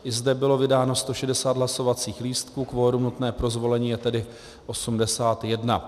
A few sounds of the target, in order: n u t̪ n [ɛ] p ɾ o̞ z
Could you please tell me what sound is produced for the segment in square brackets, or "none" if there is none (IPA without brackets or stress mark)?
ɛː